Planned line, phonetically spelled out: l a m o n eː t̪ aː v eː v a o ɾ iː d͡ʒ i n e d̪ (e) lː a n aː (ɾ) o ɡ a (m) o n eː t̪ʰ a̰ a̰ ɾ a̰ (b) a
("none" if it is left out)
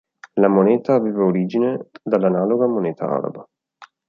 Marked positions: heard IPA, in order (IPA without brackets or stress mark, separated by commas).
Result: a, l, m, b